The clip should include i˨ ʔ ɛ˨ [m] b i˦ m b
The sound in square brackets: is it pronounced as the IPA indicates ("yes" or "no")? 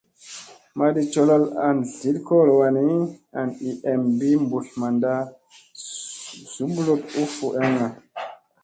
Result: yes